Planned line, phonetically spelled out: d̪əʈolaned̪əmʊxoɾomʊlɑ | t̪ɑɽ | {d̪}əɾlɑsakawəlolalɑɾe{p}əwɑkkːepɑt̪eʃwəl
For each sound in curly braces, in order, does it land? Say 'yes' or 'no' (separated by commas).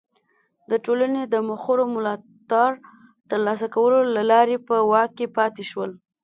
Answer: no, yes